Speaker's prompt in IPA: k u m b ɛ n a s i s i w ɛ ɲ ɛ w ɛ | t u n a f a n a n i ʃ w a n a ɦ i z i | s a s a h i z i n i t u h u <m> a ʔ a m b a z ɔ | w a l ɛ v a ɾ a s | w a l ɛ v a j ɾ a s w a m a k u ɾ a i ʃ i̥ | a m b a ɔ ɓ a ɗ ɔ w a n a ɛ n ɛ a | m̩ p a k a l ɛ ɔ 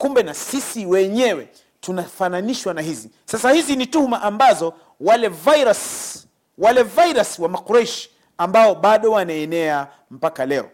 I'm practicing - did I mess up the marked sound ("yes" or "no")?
no